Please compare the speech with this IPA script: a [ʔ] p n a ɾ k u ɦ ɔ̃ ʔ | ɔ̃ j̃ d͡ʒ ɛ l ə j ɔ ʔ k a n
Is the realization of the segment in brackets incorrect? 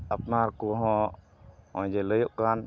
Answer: yes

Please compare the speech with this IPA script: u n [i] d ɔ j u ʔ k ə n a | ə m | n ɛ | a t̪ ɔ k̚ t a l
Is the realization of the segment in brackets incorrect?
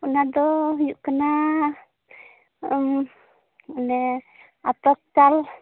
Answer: yes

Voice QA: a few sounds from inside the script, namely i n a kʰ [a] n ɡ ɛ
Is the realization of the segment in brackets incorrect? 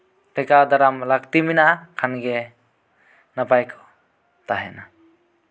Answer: no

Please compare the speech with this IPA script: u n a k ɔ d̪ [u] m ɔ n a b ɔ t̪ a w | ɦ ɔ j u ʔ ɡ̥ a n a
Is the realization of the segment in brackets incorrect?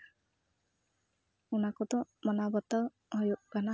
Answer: yes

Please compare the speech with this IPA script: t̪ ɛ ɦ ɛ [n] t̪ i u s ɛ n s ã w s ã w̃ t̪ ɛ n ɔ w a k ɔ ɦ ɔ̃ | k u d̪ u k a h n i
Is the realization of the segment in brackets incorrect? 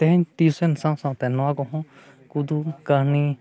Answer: yes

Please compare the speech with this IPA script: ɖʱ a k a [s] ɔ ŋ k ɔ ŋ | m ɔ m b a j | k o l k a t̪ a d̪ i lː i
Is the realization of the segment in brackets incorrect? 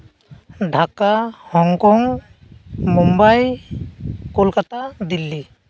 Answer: yes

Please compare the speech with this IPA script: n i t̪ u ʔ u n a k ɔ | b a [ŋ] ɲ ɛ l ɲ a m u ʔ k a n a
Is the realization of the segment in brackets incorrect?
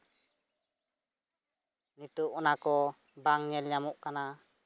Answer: no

